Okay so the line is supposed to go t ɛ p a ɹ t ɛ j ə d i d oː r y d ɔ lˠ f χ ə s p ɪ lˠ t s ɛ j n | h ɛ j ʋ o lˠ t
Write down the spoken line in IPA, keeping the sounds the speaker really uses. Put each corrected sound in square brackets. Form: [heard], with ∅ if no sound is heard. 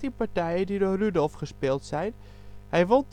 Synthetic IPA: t [i] p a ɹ t ɛ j ə d i d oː r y d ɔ lˠ f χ ə s p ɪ lˠ t s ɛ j n | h ɛ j ʋ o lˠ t